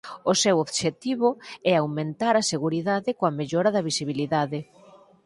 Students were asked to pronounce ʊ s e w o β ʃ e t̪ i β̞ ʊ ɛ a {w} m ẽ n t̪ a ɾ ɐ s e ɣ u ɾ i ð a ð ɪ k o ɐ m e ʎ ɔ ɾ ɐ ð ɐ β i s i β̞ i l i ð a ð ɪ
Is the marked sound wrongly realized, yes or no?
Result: no